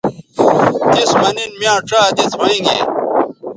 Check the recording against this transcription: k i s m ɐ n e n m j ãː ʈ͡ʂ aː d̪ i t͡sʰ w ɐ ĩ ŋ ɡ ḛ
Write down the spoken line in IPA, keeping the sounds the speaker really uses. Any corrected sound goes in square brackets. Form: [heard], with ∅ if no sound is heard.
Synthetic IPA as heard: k i s m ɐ n [i] n m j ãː ʈ͡ʂ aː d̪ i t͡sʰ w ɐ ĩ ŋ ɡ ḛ